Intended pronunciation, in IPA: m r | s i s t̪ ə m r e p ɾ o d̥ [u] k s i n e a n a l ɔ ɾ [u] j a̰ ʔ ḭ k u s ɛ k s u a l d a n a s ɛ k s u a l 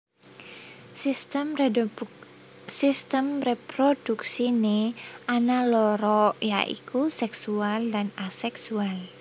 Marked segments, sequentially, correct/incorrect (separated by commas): correct, incorrect